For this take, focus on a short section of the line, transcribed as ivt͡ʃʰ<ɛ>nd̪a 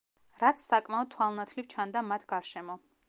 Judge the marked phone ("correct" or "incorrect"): incorrect